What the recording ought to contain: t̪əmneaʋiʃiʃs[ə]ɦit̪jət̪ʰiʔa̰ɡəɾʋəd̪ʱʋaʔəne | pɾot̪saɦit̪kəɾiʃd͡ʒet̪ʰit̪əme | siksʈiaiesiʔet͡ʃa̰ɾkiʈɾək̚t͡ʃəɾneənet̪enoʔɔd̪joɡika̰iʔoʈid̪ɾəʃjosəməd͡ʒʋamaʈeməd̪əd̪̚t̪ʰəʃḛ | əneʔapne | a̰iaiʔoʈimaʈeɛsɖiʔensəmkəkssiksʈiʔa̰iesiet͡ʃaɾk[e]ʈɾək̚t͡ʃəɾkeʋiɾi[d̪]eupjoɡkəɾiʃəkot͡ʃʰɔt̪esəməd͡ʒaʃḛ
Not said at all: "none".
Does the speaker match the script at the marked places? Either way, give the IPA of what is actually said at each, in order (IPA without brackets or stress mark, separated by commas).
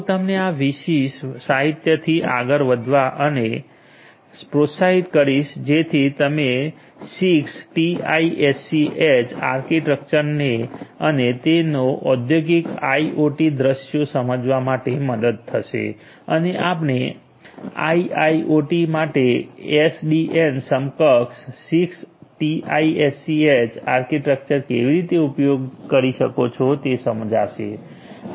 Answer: a, i, t̪